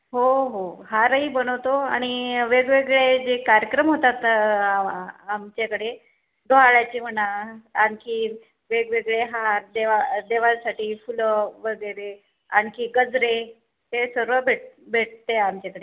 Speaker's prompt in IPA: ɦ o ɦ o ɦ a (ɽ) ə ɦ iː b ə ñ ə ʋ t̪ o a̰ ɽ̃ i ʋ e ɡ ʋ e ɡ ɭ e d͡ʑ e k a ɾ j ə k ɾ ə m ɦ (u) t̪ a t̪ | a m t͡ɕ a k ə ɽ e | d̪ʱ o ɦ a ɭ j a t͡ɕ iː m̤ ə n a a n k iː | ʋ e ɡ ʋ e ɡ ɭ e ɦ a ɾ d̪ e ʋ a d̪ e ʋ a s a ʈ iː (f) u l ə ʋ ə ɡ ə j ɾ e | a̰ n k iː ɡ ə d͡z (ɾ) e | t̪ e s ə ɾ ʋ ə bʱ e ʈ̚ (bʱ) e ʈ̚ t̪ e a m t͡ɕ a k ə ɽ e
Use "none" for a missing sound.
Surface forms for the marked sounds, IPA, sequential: ɾ, o, f, ɾ, bʱ

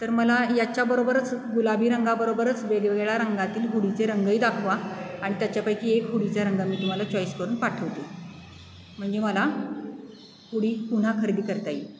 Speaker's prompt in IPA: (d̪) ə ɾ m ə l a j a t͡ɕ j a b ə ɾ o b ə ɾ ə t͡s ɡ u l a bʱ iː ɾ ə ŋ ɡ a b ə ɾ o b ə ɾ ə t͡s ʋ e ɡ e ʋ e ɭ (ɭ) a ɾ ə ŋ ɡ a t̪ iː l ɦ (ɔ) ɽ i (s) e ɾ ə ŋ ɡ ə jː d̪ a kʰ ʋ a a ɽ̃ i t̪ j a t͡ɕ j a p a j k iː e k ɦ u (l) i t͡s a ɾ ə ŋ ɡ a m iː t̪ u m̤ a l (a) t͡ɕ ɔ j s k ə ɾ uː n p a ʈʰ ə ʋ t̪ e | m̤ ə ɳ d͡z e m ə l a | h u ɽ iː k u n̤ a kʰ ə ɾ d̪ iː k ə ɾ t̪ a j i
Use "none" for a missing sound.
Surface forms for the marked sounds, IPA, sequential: t̪, ɭ, u, t͡s, ɽ, a

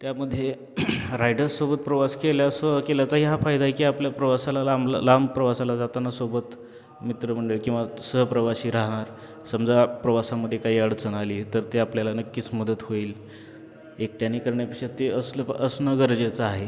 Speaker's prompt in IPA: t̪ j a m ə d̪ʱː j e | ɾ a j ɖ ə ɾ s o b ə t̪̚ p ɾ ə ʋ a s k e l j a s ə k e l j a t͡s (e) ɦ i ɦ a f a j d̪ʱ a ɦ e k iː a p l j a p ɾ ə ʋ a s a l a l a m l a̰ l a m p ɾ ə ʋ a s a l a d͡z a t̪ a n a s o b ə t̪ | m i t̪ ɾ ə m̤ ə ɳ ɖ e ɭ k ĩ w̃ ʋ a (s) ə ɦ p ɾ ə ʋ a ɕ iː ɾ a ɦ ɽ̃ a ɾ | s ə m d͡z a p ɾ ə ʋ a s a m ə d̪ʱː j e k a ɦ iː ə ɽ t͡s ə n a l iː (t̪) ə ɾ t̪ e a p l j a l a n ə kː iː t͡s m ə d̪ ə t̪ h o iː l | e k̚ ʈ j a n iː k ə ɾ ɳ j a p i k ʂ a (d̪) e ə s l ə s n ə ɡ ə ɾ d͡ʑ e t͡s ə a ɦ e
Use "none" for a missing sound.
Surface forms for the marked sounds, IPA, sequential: a, s, t̪, t̪

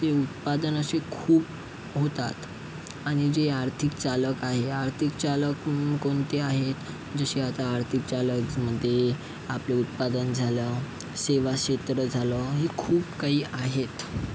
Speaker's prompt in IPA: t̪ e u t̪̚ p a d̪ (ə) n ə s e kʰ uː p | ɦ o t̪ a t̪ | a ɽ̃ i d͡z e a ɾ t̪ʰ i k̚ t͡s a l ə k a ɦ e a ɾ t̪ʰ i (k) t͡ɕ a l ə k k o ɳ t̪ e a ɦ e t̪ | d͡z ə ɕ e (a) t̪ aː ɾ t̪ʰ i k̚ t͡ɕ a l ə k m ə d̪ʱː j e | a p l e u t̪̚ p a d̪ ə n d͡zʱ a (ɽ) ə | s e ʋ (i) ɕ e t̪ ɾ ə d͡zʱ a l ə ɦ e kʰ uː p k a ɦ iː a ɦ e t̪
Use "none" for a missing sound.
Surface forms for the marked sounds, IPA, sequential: ə, k, a, l, a

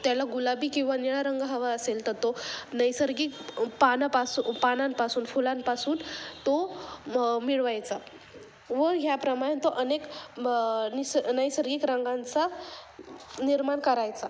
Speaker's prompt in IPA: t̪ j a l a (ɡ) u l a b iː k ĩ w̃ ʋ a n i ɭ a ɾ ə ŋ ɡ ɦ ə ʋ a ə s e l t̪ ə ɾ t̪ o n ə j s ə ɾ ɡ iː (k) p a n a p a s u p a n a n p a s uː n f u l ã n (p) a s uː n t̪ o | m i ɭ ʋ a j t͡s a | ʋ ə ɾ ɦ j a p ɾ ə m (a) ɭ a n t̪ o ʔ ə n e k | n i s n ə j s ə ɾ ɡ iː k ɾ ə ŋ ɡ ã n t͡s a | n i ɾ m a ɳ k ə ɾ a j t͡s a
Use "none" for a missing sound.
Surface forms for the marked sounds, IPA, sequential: ɡ, k, p, a

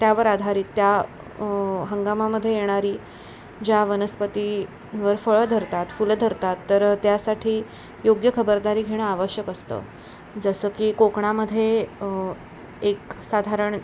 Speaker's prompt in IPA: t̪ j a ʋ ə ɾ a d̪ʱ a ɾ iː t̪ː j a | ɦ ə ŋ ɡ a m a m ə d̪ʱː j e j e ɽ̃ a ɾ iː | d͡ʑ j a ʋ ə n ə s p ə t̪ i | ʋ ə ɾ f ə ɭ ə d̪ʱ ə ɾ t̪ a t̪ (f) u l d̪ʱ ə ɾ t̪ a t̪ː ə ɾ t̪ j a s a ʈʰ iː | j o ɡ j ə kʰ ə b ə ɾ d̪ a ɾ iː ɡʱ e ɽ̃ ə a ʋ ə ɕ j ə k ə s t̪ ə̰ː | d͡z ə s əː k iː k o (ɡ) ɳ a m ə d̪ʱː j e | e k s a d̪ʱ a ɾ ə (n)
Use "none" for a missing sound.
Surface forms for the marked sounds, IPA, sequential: f, k, ɳ

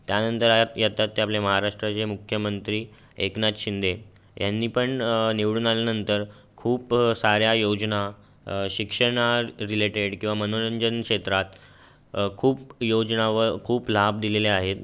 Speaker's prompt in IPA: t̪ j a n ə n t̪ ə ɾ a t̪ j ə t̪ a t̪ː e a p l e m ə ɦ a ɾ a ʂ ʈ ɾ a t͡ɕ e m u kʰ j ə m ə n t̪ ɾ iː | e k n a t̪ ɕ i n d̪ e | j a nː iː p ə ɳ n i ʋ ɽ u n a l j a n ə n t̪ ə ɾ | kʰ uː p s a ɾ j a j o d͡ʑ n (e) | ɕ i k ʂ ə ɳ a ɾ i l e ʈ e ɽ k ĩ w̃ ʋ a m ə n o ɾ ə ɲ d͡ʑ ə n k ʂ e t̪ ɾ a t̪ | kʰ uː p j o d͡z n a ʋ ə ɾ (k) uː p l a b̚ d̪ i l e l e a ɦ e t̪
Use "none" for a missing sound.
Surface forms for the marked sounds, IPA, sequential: a, kʰ

